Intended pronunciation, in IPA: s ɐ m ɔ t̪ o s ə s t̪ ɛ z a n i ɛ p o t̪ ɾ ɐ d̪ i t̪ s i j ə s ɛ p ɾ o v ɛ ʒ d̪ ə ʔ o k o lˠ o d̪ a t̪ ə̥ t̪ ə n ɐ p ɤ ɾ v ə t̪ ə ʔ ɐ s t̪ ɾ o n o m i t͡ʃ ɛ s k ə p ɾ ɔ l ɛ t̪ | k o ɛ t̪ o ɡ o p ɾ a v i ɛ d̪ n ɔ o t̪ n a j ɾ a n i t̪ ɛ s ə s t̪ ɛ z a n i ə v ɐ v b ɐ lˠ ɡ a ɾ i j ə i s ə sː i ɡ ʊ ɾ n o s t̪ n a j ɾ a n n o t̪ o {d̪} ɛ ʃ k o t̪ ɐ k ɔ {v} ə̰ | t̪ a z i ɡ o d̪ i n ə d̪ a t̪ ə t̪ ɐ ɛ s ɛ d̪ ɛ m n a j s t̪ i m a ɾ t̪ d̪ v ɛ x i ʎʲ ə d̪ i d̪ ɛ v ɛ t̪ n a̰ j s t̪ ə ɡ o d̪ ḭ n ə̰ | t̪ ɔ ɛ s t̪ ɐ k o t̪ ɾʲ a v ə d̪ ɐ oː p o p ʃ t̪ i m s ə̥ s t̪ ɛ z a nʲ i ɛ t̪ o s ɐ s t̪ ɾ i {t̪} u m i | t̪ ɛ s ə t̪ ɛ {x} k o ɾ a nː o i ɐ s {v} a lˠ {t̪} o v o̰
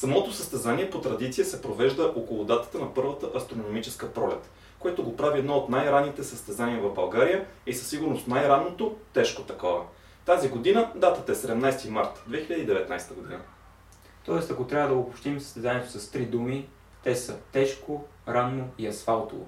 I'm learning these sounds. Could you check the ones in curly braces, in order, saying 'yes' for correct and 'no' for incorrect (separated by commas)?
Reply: no, yes, no, no, no, yes